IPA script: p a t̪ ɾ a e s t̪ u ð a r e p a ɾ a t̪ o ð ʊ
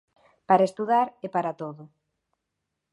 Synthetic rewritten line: p a ɾ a e s t̪ u ð a ɾ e p a ɾ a t̪ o ð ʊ